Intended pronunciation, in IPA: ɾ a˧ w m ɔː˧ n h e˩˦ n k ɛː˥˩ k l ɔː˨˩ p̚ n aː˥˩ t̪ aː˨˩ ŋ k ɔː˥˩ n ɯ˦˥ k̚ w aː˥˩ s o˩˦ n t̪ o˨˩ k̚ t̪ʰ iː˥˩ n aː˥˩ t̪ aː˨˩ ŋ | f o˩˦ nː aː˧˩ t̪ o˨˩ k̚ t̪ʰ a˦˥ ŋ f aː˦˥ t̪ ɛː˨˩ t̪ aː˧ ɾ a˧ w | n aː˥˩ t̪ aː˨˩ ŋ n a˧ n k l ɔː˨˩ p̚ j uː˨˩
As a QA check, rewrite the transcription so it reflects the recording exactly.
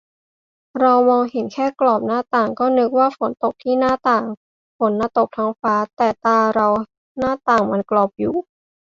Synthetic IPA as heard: ɾ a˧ w m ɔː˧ ŋ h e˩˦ n kʰ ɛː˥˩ k l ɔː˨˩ p̚ n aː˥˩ t̪ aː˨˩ ŋ k ɔː˥˩ n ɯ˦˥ k̚ w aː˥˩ f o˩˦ n t̪ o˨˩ k̚ t̪ʰ iː˥˩ n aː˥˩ t̪ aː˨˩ ŋ | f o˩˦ nː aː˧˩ t̪ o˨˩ k̚ t̪ʰ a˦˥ ŋ f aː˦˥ t̪ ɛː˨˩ t̪ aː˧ ɾ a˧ w | n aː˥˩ t̪ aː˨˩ ŋ m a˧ n k l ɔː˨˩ p̚ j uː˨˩